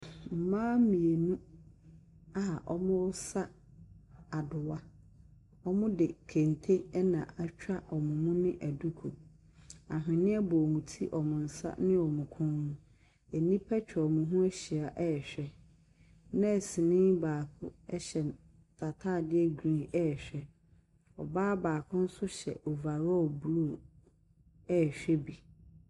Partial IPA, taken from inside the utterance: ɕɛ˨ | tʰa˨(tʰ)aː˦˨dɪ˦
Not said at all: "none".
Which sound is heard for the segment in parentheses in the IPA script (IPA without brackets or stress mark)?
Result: tʰ